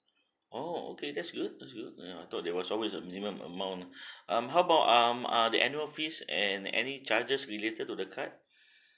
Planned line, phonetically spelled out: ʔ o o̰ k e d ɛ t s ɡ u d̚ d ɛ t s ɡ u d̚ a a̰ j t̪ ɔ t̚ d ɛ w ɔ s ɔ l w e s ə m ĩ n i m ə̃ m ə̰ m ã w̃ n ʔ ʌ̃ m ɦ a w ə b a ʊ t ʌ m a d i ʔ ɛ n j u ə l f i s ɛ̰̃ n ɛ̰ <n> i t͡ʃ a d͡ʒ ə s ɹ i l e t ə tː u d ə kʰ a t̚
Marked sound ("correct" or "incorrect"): correct